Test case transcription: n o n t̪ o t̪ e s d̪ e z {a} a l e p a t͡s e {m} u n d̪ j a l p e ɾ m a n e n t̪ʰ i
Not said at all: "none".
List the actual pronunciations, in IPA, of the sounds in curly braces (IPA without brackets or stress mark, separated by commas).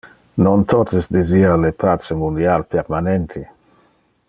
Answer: i, m